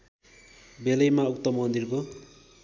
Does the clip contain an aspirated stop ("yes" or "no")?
no